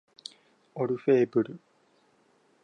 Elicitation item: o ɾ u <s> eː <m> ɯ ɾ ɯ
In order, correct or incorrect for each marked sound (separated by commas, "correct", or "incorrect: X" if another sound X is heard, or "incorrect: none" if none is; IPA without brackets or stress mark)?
incorrect: f, incorrect: b